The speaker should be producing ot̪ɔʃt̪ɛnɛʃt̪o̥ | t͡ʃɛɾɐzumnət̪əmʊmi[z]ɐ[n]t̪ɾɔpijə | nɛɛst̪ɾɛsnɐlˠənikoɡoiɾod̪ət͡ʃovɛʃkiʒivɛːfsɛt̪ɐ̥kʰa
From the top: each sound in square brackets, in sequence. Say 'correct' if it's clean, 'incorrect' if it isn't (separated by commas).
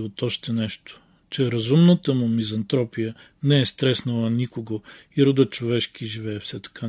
correct, correct